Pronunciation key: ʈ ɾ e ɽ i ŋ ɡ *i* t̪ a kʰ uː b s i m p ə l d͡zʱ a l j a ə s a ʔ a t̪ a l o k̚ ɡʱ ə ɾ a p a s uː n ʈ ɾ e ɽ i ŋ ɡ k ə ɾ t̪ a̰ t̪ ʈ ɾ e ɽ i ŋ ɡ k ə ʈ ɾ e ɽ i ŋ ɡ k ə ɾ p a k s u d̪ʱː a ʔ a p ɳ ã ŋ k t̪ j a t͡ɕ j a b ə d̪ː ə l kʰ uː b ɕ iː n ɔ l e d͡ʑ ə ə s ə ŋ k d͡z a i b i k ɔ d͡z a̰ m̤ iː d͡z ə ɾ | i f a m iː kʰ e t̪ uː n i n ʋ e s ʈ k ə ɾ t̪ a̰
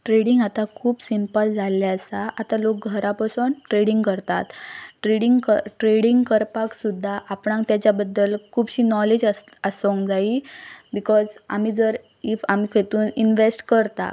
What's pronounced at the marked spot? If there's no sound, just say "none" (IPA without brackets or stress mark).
a